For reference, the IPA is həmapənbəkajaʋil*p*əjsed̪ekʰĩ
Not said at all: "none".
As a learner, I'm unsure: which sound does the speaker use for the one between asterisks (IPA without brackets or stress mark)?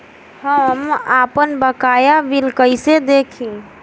k